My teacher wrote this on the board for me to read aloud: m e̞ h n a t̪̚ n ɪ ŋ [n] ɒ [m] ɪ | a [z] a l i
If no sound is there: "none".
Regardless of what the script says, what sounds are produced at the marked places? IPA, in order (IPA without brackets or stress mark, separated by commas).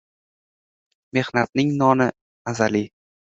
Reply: n, n, z